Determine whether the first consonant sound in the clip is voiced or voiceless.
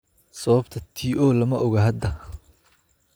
voiceless